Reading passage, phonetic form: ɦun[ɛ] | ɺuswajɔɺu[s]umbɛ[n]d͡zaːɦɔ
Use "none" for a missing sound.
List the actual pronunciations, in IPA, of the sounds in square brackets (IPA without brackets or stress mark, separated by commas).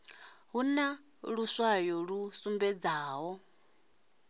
a, s, none